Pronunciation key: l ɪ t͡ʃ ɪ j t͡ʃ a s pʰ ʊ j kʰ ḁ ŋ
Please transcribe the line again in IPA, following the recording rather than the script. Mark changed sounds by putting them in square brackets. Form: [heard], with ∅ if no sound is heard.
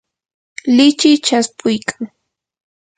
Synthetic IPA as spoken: l ɪ t͡ʃ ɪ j t͡ʃ a s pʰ ʊ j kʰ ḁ ŋ